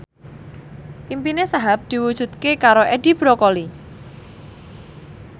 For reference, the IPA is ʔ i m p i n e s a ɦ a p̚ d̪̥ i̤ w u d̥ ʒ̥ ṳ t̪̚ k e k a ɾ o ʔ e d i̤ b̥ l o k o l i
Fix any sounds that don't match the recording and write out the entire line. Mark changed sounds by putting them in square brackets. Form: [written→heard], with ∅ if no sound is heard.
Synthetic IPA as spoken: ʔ i m p i n e s a ɦ a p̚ d̪̥ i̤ w u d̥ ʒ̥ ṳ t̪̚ k e k a ɾ o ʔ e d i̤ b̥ [l→ɾ] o k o l i